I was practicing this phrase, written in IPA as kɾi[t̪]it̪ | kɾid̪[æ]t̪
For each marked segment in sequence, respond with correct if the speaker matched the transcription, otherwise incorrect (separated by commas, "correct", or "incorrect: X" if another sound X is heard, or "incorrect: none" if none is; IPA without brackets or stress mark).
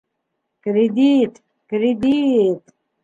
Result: incorrect: d̪, incorrect: i